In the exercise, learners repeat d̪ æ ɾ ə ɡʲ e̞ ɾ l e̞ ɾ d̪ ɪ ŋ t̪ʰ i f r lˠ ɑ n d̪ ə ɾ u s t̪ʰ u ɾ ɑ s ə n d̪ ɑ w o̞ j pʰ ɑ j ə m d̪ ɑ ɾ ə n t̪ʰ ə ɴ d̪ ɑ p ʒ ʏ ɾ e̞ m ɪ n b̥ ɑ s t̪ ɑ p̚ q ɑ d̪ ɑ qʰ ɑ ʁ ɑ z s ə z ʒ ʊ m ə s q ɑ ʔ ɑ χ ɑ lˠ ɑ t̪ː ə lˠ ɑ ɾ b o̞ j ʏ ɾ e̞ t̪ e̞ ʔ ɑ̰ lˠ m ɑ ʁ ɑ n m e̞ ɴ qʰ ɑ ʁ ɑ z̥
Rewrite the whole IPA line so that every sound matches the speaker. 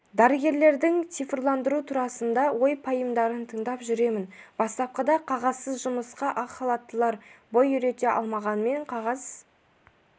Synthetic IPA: d̪ æ ɾ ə ɡʲ e̞ ɾ l e̞ ɾ d̪ ɪ ŋ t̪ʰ i f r lˠ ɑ n d̪ ə ɾ u t̪ʰ u ɾ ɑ s ə n d̪ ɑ w o̞ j pʰ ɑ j ə m d̪ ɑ ɾ ə n t̪ʰ ə ɴ d̪ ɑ p ʒ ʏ ɾ e̞ m ɪ n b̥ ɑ s t̪ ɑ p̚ q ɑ d̪ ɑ qʰ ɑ ʁ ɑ z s ə z ʒ ʊ m ə s q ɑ ʔ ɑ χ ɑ lˠ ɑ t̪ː ə lˠ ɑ ɾ b o̞ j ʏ ɾ e̞ t̪ e̞ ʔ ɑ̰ lˠ m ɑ ʁ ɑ n m e̞ ɴ qʰ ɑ ʁ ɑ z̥